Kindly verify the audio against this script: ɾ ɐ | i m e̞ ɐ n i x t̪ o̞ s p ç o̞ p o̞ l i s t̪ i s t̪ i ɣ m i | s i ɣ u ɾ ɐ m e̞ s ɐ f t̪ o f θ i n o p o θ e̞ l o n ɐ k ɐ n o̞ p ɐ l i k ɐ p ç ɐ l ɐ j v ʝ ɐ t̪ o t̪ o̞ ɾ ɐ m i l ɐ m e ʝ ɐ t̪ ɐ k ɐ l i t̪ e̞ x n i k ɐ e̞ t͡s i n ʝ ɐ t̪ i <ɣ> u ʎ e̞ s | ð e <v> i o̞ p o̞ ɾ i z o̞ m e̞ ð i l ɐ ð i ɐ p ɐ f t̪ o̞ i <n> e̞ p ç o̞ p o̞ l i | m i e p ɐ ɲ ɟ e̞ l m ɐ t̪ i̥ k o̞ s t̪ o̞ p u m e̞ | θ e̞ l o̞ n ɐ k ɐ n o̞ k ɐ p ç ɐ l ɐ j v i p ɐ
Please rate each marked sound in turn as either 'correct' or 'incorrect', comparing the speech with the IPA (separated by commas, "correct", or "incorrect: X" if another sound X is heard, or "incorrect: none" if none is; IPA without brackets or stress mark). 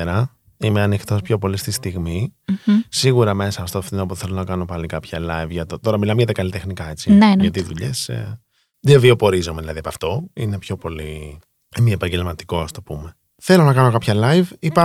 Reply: incorrect: ð, correct, correct